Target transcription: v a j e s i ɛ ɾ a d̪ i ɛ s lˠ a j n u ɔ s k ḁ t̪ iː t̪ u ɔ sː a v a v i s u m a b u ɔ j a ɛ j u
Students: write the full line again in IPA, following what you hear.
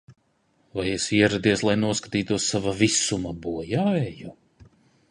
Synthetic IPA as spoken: v a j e s i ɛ ɾ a d̪ i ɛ s lˠ a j n u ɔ s k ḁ t̪ iː t̪ u ɔ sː a v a v i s u m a b u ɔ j a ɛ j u